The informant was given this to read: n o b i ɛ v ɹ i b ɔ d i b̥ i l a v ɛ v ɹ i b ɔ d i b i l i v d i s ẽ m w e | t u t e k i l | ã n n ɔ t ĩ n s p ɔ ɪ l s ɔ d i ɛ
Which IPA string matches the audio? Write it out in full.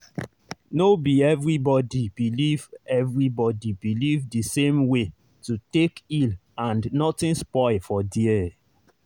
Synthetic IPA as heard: n o b i ɛ v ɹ i b ɔ d i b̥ i l i v ɛ v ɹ i b ɔ d i b i l i v d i s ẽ m w e | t u t e k i l | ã n n ɔ t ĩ n s p ɔ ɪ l f ɔ d i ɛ

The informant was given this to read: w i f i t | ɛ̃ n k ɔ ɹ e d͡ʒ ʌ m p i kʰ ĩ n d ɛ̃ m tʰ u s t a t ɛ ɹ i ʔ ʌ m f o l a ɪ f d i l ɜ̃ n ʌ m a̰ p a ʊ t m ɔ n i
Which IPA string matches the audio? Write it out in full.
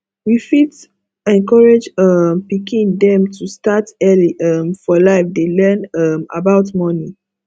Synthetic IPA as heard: w i f i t | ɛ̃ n k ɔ ɹ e d͡ʒ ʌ m p i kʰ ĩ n d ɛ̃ m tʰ u s t a t ɛ l i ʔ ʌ m f ɔ l a ɪ f d e l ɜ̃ n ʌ m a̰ b a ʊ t m ɔ n i

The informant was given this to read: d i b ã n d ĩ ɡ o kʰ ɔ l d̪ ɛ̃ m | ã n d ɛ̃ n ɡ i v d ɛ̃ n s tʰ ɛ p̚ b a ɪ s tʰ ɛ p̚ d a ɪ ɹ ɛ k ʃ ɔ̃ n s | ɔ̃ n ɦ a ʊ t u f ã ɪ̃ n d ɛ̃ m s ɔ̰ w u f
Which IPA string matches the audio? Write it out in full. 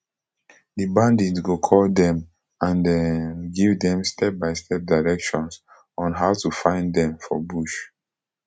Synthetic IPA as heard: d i b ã n d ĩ ɡ o kʰ ɔ l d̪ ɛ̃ m | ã n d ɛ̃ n ɡ i v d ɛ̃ m s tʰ ɛ p̚ b a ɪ s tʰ ɛ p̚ d a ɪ ɹ ɛ k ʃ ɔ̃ n s | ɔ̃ n ɦ a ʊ t u f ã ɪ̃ n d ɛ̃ m f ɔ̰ b u ʃ

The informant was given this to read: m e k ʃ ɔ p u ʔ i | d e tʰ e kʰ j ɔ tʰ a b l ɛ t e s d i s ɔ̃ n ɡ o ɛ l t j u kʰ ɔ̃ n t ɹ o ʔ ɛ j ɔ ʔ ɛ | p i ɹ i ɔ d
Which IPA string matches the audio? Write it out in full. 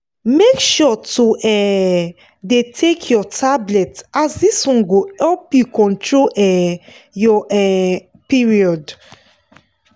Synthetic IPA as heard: m e k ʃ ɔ t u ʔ ɛ | d e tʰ e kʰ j ɔ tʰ a b l ɛ t a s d i s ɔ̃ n ɡ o ɛ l p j u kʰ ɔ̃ n t ɹ o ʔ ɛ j ɔ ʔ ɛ | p i ɹ i ɔ d

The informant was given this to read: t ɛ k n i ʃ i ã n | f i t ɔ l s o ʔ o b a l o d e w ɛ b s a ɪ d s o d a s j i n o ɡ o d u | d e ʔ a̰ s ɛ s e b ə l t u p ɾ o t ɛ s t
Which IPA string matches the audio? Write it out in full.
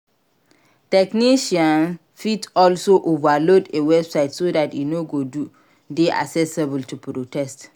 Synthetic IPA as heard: t ɛ k n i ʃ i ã n | f i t ɔ l s o ʔ o v a l o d e w ɛ b s a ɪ t s o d a t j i n o ɡ o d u | d e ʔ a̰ s ɛ s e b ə l t u p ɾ o t ɛ s t

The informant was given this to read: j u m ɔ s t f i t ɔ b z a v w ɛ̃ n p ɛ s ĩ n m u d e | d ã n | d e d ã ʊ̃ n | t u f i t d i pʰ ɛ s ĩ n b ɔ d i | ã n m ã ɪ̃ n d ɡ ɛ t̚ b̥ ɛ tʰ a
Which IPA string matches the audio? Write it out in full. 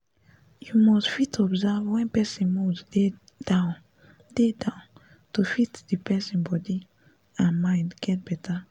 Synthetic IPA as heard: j u m ɔ s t f i t ɔ b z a v w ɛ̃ n p ɛ s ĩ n m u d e | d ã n | d e d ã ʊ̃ n | t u f i t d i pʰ ɛ s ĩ n b ɔ d i | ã n m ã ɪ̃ n d ɡ ɛ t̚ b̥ ɛ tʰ a

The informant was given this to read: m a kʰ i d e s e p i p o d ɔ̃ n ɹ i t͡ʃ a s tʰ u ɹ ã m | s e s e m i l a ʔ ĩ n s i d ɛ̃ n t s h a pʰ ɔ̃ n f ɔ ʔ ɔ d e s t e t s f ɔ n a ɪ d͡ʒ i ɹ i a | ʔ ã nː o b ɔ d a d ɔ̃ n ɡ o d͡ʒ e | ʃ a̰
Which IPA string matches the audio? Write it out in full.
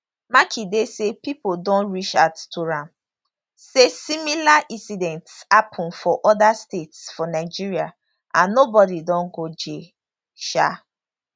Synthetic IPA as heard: m a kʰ i d e s e p i p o d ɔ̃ n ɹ i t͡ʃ a t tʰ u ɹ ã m | s e s i m i l a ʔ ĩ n s i d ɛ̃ n t s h a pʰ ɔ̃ n f ɔ ʔ ɔ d a s t e t s f ɔ n a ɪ d͡ʒ i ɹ i a | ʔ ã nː o b ɔ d i d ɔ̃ n ɡ o d͡ʒ e | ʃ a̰

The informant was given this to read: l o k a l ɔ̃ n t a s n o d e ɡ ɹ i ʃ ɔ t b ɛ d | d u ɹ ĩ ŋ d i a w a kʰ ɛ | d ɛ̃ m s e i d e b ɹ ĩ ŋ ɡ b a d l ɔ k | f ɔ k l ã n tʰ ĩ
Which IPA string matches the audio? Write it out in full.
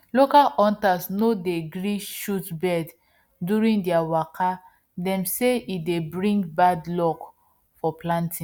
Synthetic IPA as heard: l o k a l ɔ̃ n t a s n o d e ɡ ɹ i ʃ u t b ɛ d | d u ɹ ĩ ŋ d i a w a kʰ a | d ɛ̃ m s e i d e b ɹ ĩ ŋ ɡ b a d l ɔ k | f ɔ p l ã n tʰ ĩ

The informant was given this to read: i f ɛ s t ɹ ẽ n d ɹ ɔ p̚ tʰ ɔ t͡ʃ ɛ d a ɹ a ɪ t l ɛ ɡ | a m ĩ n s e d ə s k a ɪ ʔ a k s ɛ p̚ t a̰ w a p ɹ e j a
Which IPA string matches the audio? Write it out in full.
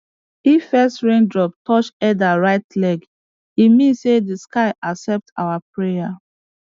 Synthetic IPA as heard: i f ɛ s t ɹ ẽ n d ɹ ɔ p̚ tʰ ɔ t͡ʃ ɛ d a ɹ a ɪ t l ɛ ɡ | i m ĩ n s e d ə s k a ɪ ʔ a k s ɛ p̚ t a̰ w a p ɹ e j a

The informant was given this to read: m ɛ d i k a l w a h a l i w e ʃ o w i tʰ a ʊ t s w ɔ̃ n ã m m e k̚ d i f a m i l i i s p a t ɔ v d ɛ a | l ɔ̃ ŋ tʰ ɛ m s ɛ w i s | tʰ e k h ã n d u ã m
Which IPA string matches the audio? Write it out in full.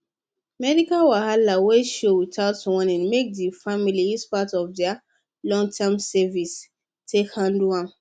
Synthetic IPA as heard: m ɛ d i k a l w a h a l a w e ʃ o w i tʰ a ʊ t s w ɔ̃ n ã n m e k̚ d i f a m i l i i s p a t ɔ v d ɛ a | l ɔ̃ ŋ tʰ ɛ m s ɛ v i s | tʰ e k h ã n d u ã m

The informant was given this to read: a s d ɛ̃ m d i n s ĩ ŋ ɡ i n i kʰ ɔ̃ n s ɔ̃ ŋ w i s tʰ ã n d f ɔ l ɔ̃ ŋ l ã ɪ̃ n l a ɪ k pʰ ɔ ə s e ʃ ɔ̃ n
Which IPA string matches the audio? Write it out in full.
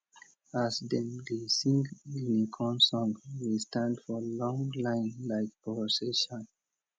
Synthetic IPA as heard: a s d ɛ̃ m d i s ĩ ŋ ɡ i n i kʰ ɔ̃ n s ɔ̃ ŋ w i s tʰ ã n d f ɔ l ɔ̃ ŋ l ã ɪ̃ n l a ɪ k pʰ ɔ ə s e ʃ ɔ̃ n

